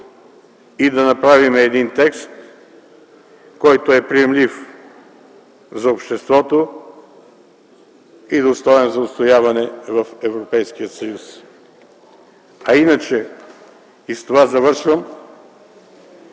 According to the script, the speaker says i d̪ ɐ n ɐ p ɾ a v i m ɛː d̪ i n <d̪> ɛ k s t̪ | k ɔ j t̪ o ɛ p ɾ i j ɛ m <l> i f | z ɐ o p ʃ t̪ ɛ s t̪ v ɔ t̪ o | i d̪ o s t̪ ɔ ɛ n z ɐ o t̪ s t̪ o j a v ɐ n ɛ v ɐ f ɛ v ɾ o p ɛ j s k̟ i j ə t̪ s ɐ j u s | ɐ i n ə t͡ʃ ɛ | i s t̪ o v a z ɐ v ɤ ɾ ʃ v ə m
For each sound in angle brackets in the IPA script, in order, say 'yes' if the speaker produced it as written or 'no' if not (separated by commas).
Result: no, yes